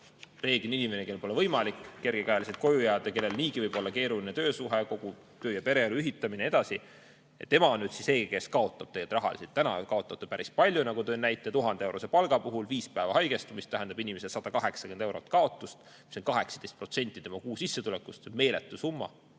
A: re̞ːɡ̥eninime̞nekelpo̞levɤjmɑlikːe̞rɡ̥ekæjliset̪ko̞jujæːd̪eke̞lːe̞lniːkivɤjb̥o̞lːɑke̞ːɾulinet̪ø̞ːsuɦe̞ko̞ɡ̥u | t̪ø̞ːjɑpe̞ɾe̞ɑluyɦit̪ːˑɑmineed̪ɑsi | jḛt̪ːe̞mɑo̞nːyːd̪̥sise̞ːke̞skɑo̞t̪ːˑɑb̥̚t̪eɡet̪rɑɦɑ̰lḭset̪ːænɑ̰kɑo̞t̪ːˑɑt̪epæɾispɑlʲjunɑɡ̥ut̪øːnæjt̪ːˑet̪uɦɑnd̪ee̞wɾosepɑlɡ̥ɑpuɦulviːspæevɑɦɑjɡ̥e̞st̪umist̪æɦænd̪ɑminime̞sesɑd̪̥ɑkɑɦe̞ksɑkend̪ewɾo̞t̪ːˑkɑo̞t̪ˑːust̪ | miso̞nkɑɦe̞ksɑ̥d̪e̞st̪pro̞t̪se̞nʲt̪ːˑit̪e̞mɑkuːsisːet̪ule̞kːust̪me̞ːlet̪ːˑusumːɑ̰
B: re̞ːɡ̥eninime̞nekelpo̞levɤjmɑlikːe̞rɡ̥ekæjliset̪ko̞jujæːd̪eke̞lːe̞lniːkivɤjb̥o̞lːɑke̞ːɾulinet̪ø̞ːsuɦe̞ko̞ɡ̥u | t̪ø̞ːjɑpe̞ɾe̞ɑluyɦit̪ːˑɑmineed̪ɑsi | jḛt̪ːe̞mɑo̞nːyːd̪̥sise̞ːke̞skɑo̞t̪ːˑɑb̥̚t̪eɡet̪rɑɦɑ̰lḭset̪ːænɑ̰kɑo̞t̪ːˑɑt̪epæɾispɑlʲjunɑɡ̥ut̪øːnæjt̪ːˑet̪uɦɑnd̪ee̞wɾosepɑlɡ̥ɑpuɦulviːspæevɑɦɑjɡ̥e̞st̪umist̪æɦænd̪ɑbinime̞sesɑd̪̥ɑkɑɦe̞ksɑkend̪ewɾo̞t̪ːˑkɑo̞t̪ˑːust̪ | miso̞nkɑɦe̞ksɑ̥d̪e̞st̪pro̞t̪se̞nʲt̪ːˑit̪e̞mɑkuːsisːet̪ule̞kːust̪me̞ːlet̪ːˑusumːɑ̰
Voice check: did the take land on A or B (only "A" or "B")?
B